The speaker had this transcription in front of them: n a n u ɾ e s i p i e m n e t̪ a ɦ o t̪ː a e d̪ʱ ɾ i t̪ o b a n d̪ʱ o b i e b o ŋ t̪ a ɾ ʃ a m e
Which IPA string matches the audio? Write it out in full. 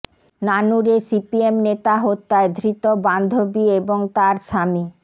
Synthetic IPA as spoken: n a n u ɾ e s i p i e m n e t̪ a ɦ o t̪ː a e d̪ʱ ɾ i t̪ o b a n d̪ʱ o b i e b o ŋ t̪ a ɾ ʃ a m i